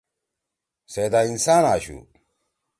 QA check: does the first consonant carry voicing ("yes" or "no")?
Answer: no